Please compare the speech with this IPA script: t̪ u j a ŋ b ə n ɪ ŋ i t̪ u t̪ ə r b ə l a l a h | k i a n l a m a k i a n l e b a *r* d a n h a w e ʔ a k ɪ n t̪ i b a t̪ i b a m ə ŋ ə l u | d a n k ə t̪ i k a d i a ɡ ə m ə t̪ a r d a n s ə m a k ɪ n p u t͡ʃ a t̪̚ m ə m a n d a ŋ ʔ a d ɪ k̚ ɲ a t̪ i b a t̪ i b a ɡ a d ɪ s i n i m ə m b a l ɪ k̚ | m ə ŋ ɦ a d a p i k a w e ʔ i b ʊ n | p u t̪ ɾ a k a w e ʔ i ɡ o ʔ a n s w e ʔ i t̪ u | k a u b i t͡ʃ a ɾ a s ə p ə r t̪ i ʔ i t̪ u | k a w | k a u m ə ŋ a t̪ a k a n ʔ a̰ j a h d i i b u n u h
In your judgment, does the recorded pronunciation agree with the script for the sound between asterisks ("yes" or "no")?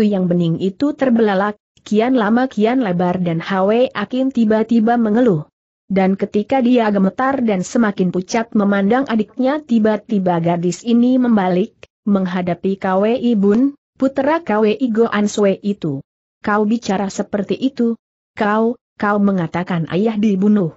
yes